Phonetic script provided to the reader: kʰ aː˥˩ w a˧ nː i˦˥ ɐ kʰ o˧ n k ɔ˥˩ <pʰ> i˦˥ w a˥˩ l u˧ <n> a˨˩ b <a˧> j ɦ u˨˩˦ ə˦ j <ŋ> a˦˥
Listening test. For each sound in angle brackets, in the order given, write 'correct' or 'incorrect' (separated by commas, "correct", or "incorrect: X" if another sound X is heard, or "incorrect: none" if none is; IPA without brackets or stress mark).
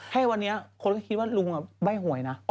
incorrect: kʰ, incorrect: ŋ, incorrect: a˥˩, incorrect: n